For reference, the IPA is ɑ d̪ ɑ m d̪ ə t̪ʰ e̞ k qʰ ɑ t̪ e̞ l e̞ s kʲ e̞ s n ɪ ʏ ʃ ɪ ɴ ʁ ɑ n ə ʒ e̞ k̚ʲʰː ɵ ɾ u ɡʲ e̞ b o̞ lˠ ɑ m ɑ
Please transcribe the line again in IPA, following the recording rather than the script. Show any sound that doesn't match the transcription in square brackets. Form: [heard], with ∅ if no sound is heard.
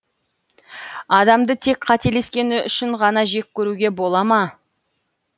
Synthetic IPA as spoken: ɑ d̪ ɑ m d̪ ə t̪ʰ e̞ k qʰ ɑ t̪ e̞ l e̞ s kʲ e̞ [∅] n ɪ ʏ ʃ ɪ ɴ ʁ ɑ n [ɑ] ʒ e̞ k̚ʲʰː ɵ ɾ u ɡʲ e̞ b o̞ lˠ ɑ m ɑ

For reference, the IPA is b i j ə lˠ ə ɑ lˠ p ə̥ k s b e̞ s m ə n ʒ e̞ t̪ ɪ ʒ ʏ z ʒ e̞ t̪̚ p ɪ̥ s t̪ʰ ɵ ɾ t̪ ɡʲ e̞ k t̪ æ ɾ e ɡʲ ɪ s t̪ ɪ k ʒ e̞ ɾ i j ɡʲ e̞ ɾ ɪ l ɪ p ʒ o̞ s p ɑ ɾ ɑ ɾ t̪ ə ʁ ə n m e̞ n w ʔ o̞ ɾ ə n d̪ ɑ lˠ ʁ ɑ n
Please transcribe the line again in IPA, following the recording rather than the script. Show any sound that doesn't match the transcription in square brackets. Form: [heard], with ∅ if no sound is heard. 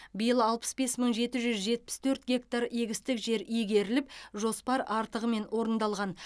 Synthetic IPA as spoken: b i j ə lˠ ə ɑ lˠ p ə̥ [∅] s b e̞ s m ə [ɴ] ʒ e̞ t̪ ɪ ʒ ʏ z ʒ e̞ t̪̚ p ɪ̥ s t̪ʰ ɵ ɾ t̪ ɡʲ e̞ k t̪ [a] ɾ e ɡʲ ɪ s t̪ ɪ k ʒ e̞ ɾ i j ɡʲ e̞ ɾ ɪ l ɪ p ʒ o̞ s p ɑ ɾ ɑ ɾ t̪ ə ʁ ə [∅] m e̞ n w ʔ o̞ ɾ ə n d̪ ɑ lˠ ʁ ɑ n

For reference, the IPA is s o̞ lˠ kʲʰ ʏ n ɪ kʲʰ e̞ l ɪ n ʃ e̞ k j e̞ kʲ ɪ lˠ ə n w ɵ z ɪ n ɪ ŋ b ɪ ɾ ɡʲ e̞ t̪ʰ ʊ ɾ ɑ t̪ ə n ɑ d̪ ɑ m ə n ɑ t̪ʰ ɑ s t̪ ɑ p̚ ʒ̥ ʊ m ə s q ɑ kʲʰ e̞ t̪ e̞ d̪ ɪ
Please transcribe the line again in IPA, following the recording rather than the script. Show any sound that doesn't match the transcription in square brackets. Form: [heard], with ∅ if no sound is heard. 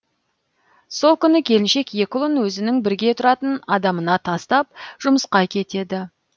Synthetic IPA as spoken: s o̞ lˠ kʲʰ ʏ n ɪ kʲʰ e̞ l ɪ n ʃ e̞ k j e̞ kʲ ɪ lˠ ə n w ɵ z ɪ n ɪ ŋ b ɪ ɾ ɡʲ e̞ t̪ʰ ʊ ɾ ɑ t̪ ə n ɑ d̪ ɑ m ə n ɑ t̪ʰ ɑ s t̪ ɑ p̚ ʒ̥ ʊ m ə s q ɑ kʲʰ e̞ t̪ e̞ d̪ ɪ

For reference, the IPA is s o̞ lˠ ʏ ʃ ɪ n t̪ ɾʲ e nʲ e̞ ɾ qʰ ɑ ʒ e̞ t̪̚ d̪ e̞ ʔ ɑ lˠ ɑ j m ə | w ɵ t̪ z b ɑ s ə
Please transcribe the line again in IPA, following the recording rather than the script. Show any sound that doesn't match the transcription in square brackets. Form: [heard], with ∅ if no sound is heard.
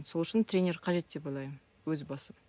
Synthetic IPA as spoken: s o̞ lˠ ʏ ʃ ɪ n t̪ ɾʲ e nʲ e̞ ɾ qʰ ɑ ʒ e̞ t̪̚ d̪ e̞ [p] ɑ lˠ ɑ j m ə | w ɵ [∅] z b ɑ s ə

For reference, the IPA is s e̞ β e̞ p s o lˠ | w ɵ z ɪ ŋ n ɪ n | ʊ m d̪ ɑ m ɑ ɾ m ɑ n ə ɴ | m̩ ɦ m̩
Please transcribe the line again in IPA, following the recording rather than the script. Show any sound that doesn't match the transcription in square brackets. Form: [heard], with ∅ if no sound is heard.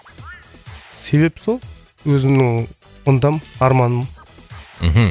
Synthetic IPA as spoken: s e̞ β e̞ p s o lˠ | w ɵ z ɪ [m] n ɪ [ŋ] | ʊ [n] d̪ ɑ m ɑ ɾ m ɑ n ə [m] | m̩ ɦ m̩

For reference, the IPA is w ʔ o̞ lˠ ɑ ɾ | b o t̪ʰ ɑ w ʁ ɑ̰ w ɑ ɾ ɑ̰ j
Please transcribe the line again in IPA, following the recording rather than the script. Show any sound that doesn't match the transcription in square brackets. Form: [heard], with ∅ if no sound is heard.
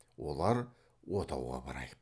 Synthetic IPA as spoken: w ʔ o̞ lˠ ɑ ɾ | [w] o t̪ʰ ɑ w ʁ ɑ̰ [b] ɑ ɾ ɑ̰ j

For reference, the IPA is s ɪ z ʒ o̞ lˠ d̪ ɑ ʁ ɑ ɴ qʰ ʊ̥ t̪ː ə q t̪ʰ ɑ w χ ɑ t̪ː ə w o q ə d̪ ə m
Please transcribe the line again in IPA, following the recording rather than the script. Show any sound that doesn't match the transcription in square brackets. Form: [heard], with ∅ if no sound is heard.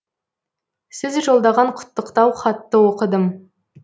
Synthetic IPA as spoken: s ɪ z ʒ o̞ lˠ d̪ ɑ ʁ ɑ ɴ qʰ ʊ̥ t̪ː ə q [t̪] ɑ w χ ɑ t̪ː ə w o q ə d̪ ə m

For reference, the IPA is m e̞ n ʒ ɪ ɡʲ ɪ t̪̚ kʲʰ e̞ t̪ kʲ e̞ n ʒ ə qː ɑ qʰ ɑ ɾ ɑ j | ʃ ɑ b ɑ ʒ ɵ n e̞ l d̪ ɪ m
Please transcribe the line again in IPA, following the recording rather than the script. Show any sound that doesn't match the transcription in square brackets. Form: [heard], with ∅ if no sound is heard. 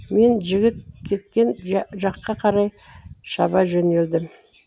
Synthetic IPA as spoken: m e̞ n ʒ ɪ ɡʲ ɪ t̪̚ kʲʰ e̞ t̪ kʲ e̞ n ʒ [ɑ] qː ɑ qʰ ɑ ɾ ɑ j | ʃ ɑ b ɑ ʒ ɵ n e̞ l d̪ ɪ m

